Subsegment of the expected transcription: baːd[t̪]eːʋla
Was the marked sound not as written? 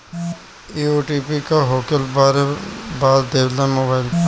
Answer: yes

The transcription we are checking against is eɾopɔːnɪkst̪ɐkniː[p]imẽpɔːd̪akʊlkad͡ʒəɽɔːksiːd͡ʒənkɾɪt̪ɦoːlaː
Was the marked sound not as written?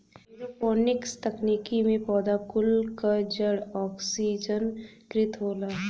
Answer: yes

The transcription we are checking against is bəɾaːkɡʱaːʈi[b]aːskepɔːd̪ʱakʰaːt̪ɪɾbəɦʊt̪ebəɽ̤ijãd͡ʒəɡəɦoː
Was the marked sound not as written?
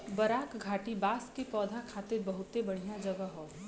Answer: no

